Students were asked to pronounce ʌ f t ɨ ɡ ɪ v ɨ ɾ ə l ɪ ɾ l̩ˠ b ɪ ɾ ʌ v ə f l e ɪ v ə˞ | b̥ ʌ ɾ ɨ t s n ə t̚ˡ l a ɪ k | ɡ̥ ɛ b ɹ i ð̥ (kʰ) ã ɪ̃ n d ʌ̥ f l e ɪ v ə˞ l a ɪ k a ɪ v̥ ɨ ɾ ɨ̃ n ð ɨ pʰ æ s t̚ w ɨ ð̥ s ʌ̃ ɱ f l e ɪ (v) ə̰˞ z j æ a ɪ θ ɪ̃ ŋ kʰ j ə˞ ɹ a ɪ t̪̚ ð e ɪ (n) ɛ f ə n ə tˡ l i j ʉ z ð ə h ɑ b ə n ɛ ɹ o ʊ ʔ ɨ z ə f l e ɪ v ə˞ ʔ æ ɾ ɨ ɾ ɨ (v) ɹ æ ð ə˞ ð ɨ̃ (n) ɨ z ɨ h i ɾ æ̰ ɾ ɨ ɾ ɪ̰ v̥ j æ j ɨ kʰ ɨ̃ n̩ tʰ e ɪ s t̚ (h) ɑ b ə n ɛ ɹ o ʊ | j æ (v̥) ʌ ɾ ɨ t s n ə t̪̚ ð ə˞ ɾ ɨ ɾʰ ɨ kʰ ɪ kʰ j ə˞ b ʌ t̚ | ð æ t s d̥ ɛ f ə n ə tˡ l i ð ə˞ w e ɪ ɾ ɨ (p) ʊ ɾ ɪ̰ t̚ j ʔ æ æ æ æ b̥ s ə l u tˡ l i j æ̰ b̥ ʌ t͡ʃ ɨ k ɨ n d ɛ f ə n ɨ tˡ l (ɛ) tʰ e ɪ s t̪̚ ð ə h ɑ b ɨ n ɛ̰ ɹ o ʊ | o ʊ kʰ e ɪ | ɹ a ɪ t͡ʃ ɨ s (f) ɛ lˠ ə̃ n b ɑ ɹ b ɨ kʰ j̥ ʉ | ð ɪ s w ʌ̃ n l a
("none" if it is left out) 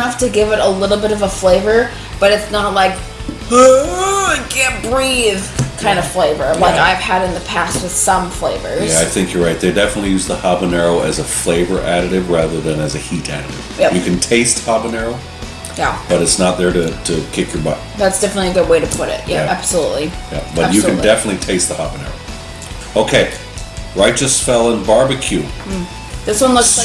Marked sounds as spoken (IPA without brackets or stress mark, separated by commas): kʰ, v, d, v, n, h, b̥, pʰ, i, f